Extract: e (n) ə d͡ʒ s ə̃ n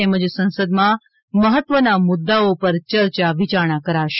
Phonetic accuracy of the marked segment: incorrect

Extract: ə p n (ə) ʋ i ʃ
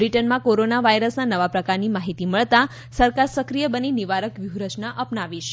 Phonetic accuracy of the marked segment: incorrect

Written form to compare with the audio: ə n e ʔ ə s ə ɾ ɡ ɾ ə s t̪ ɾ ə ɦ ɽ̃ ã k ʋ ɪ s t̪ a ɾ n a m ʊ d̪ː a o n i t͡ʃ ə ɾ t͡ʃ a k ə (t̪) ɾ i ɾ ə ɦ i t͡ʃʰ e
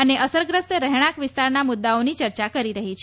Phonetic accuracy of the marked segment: incorrect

